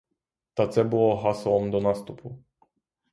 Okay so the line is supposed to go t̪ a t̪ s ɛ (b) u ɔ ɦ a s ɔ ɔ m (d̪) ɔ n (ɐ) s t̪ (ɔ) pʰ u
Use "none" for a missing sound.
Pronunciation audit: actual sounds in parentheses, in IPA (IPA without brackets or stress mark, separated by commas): b, d̪, a, u